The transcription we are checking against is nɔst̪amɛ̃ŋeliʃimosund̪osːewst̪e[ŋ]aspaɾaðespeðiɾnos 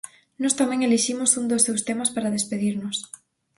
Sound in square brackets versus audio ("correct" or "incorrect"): incorrect